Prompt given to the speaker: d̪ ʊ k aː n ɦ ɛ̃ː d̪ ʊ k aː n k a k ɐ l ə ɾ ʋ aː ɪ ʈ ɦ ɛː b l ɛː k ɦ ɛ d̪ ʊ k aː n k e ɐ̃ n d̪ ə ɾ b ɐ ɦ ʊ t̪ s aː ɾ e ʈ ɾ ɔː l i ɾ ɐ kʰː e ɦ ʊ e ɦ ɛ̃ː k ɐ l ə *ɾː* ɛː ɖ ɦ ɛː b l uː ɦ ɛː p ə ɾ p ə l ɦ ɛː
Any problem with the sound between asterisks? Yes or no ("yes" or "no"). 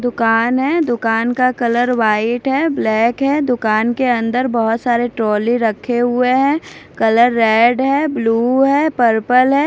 no